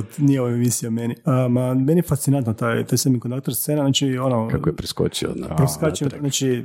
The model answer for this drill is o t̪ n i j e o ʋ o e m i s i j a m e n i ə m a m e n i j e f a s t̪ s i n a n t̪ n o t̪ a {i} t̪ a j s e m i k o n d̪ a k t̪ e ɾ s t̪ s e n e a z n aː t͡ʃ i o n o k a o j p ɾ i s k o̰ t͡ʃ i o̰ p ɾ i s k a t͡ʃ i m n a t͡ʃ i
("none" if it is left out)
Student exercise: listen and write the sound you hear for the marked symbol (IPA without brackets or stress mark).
j